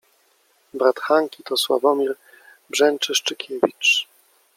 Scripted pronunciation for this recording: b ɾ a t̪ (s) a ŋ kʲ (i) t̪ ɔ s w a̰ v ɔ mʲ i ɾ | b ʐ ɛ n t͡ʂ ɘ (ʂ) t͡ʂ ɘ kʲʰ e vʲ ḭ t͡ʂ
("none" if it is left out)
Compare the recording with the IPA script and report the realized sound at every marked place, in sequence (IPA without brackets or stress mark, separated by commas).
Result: x, i, ʂ